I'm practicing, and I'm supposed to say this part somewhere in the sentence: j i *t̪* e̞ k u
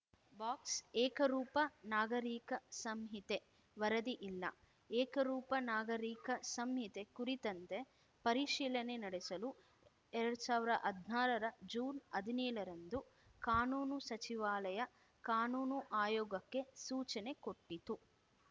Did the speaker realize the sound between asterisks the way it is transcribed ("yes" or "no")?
yes